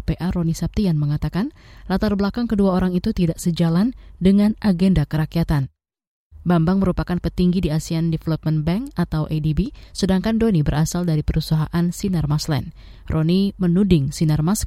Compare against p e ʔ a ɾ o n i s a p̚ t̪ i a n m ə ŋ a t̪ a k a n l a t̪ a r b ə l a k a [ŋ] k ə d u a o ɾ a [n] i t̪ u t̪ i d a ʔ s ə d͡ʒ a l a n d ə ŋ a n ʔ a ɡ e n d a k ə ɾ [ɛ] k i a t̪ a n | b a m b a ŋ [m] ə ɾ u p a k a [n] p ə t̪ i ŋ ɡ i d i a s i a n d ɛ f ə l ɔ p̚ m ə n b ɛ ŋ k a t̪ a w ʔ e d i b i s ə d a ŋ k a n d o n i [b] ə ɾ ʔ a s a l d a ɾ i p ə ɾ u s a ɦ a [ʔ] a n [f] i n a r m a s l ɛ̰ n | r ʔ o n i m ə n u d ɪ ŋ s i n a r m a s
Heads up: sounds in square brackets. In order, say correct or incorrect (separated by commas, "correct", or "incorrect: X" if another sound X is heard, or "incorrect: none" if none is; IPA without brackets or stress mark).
correct, incorrect: ŋ, incorrect: a, correct, correct, correct, correct, incorrect: s